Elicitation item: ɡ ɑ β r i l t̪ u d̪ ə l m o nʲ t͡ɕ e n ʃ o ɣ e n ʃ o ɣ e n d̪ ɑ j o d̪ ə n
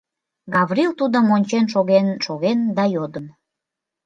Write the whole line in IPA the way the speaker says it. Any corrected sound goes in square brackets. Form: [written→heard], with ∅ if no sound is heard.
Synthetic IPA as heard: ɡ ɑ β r i l t̪ u d̪ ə [l→∅] m o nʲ t͡ɕ e n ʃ o ɣ e n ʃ o ɣ e n d̪ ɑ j o d̪ ə n